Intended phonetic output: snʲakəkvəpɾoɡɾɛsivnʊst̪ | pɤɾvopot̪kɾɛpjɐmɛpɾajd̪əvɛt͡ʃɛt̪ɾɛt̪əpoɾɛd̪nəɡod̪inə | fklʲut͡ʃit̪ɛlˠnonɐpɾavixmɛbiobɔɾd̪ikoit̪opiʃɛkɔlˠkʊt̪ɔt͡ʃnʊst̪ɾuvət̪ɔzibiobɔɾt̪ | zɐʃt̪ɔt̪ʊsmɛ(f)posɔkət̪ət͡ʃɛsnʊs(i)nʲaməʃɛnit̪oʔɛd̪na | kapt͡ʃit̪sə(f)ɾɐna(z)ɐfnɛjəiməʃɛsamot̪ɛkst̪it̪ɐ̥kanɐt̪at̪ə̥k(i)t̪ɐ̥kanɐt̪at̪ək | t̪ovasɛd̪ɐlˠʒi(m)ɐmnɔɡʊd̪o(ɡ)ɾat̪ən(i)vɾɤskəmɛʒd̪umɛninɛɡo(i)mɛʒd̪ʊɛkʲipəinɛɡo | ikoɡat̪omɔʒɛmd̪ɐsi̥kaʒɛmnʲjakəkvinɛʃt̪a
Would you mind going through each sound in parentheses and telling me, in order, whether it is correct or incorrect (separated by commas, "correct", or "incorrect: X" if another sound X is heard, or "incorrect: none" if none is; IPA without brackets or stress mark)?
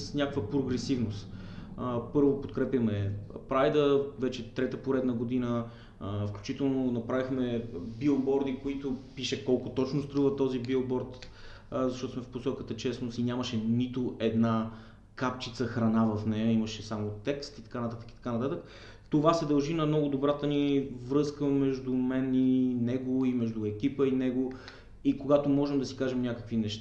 correct, correct, incorrect: x, incorrect: v, correct, incorrect: n, incorrect: b, correct, correct